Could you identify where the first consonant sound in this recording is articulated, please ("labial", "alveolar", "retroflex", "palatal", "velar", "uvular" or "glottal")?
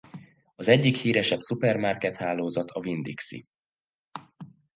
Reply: alveolar